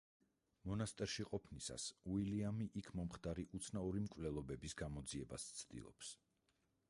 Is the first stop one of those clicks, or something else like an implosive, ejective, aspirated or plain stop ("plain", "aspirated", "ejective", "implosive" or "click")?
ejective